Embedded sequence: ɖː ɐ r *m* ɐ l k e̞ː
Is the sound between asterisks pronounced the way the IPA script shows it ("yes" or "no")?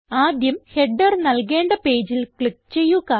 no